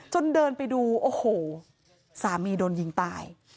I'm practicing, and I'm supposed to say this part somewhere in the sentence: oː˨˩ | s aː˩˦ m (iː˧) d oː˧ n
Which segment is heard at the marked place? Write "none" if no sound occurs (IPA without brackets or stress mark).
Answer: iː˧